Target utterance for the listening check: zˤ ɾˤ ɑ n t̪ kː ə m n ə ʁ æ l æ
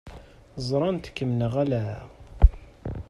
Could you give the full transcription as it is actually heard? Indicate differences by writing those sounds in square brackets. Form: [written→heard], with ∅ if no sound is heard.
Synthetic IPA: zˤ ɾˤ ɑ n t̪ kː ə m n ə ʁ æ l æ